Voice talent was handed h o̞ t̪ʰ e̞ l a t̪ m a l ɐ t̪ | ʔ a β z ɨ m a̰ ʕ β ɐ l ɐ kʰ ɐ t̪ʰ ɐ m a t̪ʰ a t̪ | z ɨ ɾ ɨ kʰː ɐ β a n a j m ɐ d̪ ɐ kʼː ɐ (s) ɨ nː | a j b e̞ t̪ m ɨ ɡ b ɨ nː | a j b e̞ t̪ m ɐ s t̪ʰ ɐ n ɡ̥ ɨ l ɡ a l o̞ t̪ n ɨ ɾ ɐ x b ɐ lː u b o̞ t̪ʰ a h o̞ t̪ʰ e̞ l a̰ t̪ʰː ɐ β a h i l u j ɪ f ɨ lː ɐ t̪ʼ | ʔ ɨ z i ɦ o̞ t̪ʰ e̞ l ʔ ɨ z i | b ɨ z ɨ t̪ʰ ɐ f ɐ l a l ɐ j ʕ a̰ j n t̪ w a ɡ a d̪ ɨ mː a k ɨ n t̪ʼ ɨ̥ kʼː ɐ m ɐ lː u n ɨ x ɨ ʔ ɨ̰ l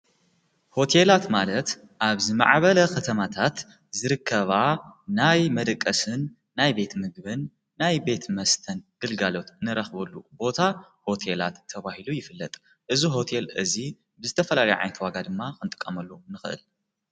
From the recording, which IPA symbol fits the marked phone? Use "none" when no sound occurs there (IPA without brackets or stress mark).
s